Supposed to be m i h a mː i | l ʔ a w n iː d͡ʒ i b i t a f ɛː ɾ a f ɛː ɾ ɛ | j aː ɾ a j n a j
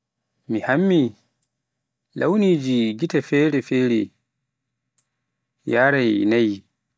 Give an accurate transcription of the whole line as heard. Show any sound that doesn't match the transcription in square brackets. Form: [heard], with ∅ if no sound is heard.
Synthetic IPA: m i h a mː i | l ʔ a w n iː d͡ʒ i [ɡ] i t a f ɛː ɾ [ɛ] f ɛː ɾ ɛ | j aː ɾ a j n a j